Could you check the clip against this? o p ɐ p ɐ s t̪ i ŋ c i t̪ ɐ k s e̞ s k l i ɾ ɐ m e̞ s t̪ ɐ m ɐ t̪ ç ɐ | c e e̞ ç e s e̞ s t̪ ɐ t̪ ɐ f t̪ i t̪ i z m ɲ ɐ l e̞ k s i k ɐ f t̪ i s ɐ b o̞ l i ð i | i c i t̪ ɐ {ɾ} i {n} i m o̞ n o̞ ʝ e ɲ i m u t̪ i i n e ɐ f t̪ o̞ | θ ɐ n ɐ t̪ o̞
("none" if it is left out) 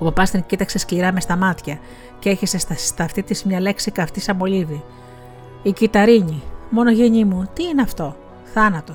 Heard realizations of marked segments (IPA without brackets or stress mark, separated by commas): ɾ, ɲ